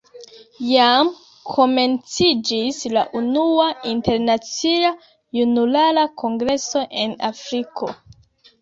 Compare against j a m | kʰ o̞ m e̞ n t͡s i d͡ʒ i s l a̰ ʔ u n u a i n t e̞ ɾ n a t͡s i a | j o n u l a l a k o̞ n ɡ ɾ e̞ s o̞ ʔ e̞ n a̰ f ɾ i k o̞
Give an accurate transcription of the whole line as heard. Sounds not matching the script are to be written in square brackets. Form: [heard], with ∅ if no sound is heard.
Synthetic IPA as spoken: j a m | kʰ o̞ m e̞ n t͡s i d͡ʒ i s l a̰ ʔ u n u a i n t e̞ ɾ n a t͡s i a | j [u] n u l a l a k o̞ [ŋ] ɡ ɾ e̞ s o̞ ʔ e̞ n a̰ f ɾ i k o̞